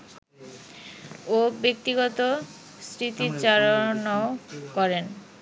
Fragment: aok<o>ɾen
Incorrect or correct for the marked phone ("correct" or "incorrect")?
incorrect